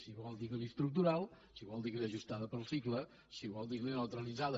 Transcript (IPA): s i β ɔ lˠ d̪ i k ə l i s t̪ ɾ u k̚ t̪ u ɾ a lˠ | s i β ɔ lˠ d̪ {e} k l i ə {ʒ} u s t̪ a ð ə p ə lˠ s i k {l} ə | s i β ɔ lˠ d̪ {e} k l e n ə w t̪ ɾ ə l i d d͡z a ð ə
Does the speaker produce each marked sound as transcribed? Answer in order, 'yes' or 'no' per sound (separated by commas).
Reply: no, yes, yes, no